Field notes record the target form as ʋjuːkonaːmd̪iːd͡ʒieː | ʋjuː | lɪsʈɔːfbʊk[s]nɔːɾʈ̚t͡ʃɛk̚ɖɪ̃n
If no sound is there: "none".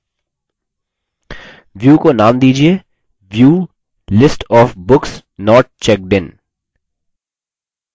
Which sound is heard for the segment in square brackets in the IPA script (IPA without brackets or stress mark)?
s